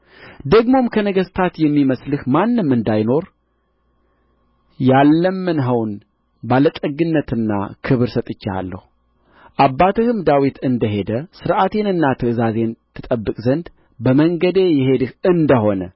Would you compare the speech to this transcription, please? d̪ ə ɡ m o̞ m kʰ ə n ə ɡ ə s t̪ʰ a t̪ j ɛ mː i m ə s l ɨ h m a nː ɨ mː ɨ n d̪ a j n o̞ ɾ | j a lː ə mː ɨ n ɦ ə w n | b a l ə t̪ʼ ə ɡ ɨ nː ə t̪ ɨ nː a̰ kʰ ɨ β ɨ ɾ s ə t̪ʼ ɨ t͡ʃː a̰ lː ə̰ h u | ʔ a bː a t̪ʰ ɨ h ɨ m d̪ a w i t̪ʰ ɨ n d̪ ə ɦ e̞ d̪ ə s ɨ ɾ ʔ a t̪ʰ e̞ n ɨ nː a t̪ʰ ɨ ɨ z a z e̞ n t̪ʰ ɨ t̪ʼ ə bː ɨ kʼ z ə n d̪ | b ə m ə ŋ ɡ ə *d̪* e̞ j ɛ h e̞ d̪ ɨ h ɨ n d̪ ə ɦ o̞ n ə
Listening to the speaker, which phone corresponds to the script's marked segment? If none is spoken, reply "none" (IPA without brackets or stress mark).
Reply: d̪